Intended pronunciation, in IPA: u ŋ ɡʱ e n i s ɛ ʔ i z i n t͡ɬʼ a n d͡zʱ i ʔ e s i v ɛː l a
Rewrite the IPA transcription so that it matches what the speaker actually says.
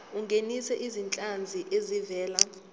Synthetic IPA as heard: u ŋ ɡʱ e n i s ɛ ʔ i z i n t͡ɬʼ a n d͡zʱ i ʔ e z i v ɛː l a